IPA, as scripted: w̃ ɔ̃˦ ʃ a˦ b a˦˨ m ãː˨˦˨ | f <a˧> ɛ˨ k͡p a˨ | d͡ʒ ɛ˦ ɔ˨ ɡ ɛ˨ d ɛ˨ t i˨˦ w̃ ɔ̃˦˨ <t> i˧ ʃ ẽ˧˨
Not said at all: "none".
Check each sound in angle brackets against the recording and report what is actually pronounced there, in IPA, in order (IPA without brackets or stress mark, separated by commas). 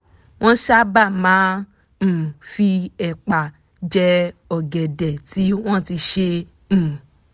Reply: i˧, t